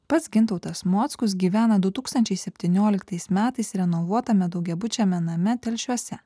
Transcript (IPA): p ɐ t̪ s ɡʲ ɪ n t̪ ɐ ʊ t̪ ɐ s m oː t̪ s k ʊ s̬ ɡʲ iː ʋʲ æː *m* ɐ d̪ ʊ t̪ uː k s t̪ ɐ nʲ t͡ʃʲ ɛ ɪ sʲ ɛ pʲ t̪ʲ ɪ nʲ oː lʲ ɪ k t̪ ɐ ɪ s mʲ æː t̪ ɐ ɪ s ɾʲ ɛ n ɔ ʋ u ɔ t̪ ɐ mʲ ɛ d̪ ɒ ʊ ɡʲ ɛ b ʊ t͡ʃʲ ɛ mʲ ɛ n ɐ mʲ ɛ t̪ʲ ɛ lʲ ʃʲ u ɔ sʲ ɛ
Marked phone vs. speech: incorrect: n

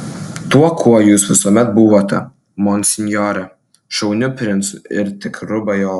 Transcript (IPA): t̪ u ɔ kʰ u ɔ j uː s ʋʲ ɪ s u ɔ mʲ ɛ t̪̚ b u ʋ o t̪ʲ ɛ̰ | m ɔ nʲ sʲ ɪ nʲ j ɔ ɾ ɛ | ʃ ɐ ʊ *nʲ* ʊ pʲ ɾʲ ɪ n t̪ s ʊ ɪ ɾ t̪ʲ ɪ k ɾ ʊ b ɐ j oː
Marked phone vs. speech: correct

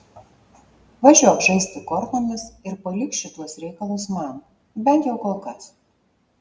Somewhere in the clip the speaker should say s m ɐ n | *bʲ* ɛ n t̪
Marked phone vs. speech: correct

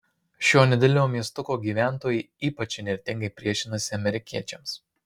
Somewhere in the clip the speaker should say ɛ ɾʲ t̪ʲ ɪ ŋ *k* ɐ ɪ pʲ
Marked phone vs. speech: incorrect: ɡ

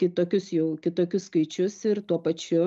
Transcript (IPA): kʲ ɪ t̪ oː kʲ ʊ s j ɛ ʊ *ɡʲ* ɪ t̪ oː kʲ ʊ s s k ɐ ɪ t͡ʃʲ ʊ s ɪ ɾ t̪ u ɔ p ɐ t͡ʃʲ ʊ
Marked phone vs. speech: incorrect: kʲ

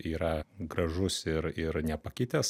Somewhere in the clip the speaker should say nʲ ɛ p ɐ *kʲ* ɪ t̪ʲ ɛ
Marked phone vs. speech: correct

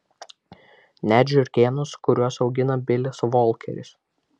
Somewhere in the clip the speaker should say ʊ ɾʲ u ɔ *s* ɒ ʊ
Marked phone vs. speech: correct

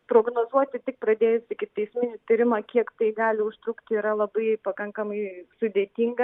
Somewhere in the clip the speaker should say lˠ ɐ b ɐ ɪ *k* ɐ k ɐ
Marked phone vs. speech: incorrect: p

